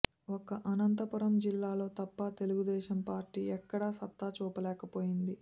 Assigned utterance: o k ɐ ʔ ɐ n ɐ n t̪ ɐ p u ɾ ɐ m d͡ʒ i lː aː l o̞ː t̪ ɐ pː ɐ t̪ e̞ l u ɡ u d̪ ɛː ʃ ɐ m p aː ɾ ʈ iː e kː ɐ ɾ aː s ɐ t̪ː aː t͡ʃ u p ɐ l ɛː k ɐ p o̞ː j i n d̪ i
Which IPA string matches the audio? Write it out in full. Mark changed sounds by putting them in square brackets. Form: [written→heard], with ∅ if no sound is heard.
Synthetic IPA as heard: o k ɐ ʔ ɐ n ɐ n t̪ ɐ p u ɾ ɐ m d͡ʒ i lː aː l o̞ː t̪ ɐ pː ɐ t̪ e̞ l u ɡ u d̪ ɛː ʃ ɐ m p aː ɾ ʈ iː [e→ɛ] kː ɐ [ɾ→ɽ] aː s ɐ t̪ː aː t͡ʃ [u→uː] p ɐ l ɛː k ɐ p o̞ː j i n d̪ i